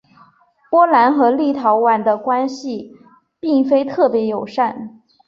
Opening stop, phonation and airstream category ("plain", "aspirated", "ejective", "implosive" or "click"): plain